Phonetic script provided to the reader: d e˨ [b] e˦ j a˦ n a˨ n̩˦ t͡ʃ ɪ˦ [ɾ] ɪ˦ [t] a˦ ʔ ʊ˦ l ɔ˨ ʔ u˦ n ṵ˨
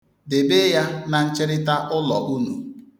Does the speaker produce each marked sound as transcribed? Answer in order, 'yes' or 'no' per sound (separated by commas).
yes, yes, yes